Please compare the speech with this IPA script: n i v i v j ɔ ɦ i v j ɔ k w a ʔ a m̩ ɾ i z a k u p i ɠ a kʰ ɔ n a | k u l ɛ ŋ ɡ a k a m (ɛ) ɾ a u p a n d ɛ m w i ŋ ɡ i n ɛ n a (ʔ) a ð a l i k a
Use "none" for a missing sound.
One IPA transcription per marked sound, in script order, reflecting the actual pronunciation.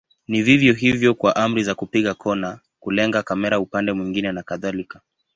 ɛ, k

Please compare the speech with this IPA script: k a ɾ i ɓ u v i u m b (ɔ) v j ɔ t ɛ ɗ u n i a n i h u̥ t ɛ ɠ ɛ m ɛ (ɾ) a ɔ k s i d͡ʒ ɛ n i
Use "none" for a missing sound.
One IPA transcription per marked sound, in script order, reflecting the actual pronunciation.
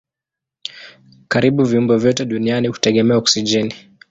ɔ, none

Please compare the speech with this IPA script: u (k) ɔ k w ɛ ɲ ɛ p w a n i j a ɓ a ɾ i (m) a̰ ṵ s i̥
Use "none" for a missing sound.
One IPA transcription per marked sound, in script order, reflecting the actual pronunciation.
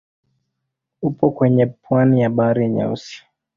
p, ɲ

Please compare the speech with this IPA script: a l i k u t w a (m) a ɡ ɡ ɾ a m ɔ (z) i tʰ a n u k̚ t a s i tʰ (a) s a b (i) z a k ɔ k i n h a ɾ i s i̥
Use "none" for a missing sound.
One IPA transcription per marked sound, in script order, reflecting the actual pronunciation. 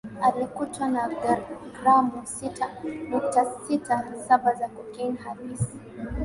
n, s, a, a

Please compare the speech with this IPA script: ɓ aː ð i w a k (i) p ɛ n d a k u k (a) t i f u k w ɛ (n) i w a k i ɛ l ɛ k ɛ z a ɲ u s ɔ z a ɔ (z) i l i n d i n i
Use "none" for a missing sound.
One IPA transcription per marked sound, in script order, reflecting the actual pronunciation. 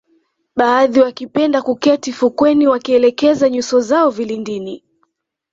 i, ɛ, n, v

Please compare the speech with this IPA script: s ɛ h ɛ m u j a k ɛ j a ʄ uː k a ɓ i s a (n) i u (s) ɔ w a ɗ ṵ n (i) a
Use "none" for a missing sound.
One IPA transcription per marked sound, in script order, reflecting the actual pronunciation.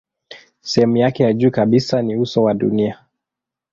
n, s, i

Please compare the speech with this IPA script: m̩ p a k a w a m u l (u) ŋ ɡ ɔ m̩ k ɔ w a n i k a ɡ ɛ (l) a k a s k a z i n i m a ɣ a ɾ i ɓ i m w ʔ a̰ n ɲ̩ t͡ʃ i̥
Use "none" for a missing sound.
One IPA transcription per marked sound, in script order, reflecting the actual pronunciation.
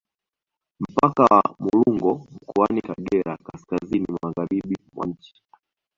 u, ɾ

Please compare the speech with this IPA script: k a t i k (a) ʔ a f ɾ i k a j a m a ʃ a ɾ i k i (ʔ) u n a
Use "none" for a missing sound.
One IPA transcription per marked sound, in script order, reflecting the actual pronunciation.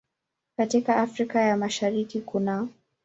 a, k

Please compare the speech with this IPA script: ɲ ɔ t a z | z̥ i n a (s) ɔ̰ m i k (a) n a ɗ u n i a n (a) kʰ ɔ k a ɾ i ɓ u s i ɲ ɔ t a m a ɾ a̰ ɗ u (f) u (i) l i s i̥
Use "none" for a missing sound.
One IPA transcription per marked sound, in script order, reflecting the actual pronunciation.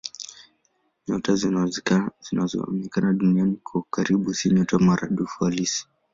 z, a, i, f, a

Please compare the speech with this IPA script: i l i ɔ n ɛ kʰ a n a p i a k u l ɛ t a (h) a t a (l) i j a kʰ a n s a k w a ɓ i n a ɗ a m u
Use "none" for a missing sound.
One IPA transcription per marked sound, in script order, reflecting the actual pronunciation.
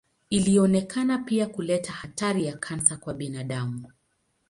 h, ɾ

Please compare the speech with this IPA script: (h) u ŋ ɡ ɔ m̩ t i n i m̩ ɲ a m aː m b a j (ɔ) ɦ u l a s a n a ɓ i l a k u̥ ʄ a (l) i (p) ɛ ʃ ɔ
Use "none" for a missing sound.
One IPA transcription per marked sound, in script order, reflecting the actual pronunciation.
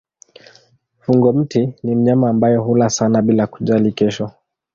f, ɔ, l, k

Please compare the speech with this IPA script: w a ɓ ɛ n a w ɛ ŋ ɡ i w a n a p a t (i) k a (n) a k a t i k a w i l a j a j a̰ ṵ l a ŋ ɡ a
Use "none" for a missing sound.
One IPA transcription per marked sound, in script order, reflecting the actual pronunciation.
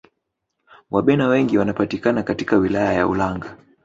i, n

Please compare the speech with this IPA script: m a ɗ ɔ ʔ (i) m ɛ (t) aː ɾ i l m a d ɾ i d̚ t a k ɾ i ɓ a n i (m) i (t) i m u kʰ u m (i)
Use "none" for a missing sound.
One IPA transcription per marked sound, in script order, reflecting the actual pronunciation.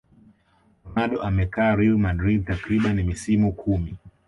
a, k, m, s, i

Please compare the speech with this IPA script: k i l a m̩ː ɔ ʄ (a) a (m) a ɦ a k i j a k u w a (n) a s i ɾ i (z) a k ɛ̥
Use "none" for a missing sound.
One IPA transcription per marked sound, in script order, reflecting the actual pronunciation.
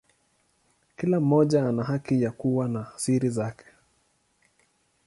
a, n, n, z

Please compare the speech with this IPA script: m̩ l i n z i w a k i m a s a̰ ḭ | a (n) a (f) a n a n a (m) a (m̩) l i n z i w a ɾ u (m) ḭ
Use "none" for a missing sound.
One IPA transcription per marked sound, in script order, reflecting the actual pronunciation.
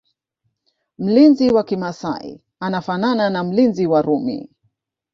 n, f, n, m̩, m

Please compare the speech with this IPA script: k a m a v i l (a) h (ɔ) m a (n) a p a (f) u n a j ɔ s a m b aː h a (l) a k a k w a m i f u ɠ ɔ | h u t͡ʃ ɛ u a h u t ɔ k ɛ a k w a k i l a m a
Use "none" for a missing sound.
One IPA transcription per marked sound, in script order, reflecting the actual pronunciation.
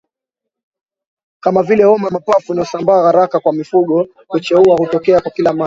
ɛ, ɔ, m, f, ɾ

